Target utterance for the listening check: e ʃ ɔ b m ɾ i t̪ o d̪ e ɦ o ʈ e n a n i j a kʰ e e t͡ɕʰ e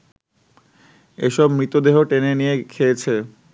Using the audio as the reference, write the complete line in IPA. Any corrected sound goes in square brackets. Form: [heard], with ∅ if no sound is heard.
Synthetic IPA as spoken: e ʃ ɔ b m ɾ i t̪ o d̪ e ɦ o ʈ e n [e] n i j [e] kʰ e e t͡ɕʰ e